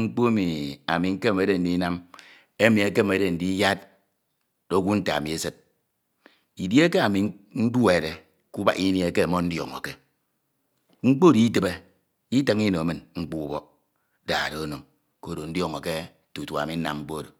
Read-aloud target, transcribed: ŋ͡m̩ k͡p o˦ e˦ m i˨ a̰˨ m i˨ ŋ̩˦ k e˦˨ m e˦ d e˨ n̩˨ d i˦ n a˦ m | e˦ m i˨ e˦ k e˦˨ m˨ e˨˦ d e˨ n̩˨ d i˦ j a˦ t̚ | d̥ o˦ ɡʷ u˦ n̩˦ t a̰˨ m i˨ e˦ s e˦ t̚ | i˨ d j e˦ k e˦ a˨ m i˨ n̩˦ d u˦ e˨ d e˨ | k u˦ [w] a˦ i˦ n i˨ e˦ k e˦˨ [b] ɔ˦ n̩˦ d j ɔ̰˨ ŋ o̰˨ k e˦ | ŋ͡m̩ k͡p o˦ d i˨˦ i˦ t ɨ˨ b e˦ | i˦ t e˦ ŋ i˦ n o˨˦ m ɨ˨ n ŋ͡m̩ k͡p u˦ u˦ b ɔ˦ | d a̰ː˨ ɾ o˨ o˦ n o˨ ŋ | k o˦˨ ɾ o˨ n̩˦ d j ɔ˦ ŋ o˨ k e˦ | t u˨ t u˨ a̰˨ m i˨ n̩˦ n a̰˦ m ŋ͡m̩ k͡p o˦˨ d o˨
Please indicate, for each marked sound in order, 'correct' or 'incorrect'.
incorrect, incorrect

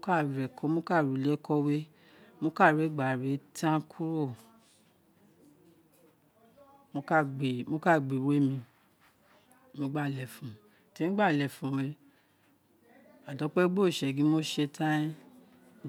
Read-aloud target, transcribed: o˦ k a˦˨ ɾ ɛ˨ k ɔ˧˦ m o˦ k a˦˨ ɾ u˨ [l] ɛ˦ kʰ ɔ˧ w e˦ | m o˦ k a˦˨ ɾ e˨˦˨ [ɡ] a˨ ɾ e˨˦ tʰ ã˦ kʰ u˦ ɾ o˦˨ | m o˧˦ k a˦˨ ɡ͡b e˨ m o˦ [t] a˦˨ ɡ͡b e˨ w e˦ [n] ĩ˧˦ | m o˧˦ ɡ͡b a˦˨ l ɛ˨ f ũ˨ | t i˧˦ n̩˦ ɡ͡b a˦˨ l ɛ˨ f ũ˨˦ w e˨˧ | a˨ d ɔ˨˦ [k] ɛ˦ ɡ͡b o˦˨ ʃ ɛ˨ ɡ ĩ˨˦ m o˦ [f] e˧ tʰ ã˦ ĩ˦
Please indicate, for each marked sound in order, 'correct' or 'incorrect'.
correct, incorrect, incorrect, incorrect, incorrect, incorrect

